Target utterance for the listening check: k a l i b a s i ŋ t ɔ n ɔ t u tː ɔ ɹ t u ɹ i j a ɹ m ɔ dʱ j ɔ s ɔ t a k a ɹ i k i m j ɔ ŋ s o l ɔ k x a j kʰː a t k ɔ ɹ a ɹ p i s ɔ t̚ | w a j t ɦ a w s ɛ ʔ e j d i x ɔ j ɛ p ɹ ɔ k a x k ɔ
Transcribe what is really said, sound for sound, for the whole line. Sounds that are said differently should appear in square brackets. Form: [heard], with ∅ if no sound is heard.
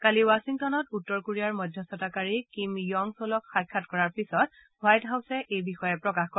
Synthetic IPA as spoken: k a l i [w] a s i ŋ t ɔ n ɔ t u tː ɔ ɹ [k] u ɹ i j a ɹ m ɔ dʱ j ɔ s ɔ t a k a ɹ i k i m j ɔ ŋ s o l ɔ k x a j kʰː a t k ɔ ɹ a ɹ p i s ɔ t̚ | w a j t ɦ a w s ɛ ʔ e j [b] i x ɔ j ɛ p ɹ ɔ k a x k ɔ